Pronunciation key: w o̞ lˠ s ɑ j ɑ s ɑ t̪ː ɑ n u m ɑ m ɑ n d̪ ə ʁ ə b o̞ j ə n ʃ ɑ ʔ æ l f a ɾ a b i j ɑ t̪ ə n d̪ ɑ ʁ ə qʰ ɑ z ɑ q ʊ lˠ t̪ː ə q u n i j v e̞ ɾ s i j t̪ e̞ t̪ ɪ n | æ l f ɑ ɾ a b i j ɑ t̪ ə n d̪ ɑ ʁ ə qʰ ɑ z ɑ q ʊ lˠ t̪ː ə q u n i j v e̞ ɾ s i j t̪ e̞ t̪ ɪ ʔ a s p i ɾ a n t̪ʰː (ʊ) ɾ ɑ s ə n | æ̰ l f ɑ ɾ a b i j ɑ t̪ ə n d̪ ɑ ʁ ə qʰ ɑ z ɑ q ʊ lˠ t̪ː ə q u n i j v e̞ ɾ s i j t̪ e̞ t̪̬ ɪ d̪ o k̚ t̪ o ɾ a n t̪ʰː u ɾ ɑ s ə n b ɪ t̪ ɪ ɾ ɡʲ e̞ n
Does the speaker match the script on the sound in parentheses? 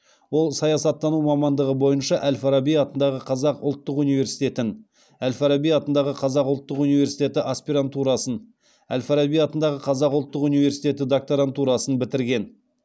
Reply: no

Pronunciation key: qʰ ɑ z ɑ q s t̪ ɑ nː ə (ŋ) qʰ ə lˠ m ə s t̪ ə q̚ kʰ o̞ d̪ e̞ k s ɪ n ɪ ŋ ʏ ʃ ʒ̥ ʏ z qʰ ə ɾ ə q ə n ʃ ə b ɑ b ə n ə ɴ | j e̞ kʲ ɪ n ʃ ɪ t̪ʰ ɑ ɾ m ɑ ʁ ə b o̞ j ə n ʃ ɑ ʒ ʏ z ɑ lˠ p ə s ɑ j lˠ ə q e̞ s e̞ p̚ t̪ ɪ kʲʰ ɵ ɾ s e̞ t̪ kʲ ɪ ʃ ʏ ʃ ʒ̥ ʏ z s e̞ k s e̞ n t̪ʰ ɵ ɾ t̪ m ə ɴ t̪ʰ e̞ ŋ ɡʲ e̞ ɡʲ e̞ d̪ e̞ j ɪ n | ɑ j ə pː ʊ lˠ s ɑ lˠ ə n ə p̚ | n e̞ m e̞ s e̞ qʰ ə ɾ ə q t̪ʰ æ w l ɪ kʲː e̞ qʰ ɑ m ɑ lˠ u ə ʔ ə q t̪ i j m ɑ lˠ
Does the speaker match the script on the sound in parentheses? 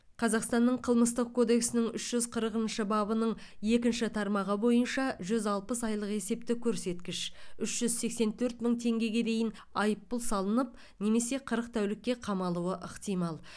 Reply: no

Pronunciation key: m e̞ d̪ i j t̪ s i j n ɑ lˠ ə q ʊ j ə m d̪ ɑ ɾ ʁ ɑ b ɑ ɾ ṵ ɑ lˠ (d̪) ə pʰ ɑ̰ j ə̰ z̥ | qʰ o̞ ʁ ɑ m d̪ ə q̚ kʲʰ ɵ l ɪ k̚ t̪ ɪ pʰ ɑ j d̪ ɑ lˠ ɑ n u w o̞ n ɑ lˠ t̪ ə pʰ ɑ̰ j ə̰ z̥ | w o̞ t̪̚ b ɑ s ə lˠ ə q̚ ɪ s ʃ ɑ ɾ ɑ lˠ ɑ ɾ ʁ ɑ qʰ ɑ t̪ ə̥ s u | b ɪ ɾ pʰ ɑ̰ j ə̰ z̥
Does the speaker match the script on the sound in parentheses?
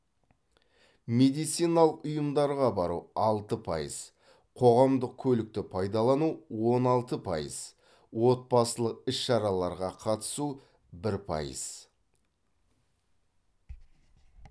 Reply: no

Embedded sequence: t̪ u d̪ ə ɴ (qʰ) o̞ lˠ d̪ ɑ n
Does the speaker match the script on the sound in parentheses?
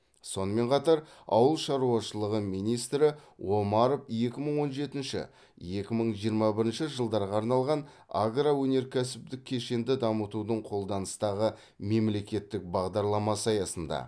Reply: yes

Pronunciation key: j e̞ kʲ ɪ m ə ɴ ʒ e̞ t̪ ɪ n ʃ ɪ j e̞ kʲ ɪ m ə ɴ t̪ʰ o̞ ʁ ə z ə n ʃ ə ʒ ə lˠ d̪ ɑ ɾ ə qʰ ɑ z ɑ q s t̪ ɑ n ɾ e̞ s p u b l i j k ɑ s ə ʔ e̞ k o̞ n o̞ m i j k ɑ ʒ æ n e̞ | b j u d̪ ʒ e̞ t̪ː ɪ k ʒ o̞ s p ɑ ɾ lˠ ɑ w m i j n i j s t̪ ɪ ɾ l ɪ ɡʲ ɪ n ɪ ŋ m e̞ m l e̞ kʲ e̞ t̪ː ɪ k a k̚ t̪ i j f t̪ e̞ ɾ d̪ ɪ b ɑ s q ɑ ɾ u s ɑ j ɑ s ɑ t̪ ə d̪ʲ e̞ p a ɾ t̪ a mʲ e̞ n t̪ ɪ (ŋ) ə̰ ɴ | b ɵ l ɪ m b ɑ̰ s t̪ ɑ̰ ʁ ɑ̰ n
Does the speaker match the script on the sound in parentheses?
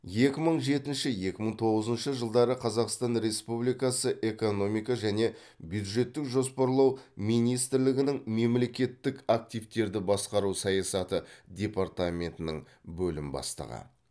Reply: no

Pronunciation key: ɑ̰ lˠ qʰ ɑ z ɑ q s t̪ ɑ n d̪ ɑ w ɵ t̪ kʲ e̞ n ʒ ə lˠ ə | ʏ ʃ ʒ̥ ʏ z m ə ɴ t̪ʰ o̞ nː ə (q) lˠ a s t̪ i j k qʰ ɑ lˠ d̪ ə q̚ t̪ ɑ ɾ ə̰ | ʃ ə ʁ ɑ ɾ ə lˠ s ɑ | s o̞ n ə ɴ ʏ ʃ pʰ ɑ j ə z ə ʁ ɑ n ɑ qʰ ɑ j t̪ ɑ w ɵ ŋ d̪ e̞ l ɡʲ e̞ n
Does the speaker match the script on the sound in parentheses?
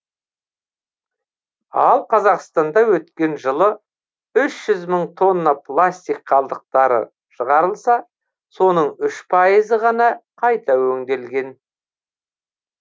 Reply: no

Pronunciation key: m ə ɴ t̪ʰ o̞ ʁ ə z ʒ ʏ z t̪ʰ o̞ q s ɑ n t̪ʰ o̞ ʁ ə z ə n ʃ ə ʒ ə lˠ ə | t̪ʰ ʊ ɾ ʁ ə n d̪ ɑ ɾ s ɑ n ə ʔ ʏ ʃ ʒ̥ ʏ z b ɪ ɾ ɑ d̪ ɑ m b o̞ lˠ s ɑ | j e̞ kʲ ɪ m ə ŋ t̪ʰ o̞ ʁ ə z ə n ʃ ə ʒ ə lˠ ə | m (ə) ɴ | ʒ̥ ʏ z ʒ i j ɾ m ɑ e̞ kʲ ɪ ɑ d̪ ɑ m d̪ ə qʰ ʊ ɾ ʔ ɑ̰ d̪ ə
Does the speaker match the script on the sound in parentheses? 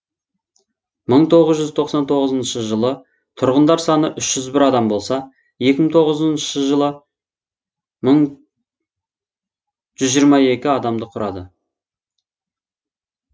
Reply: yes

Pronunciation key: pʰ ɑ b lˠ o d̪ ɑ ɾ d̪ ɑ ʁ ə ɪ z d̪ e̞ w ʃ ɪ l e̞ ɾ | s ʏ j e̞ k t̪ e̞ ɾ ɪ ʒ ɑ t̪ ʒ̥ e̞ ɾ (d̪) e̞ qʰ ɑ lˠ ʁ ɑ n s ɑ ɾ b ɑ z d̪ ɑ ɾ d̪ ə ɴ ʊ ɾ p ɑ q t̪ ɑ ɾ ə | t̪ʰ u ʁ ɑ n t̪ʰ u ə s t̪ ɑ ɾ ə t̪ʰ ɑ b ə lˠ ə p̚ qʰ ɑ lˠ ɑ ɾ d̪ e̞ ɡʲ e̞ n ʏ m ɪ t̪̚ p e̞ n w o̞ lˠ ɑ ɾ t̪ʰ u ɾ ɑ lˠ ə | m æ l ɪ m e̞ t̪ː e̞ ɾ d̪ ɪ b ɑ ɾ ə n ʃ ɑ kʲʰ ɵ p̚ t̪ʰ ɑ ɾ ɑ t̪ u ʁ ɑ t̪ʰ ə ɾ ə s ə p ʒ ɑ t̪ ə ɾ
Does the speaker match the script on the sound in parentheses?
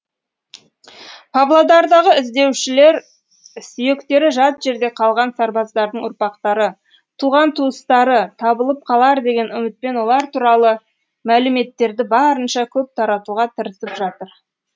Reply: yes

